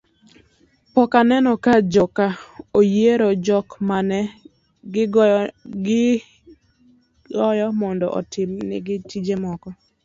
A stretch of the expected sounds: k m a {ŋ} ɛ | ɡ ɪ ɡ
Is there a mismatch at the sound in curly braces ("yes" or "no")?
yes